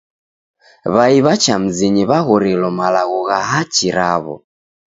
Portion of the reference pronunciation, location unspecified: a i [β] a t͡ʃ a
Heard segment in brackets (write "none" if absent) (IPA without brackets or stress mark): β